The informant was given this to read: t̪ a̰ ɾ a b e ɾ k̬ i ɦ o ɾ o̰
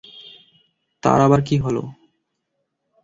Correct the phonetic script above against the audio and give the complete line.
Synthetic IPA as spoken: t̪ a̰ ɾ a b a ɾ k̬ i ɦ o l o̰